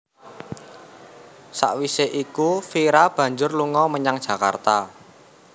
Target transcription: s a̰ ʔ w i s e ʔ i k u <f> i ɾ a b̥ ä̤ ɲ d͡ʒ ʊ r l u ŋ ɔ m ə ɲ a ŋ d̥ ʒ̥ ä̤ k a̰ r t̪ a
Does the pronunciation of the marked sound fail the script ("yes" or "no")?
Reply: no